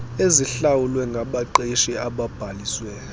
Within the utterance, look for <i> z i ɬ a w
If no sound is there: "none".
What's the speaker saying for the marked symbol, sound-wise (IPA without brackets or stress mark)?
e